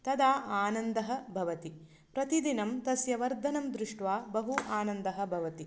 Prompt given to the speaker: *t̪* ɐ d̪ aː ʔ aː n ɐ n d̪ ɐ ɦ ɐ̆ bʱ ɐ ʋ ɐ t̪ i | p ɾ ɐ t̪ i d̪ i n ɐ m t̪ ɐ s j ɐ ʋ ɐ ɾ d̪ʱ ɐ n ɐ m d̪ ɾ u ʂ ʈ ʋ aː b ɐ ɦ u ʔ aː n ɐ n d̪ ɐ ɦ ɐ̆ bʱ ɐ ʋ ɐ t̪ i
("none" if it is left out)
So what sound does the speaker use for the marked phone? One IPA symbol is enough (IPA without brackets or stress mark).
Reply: t̪